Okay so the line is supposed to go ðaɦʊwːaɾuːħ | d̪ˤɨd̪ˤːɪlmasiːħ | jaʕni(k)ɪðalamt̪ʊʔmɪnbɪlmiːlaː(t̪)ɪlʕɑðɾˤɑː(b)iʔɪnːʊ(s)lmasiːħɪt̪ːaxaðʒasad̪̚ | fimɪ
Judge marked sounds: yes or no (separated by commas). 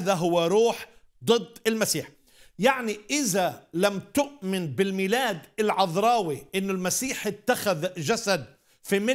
no, no, no, no